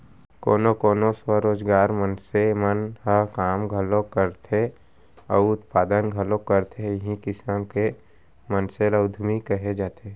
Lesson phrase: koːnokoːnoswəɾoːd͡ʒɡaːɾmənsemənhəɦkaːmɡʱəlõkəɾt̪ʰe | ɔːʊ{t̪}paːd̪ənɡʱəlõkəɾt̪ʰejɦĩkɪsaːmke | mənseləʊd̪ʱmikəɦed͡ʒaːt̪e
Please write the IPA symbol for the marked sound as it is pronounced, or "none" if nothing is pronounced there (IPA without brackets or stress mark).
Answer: t̪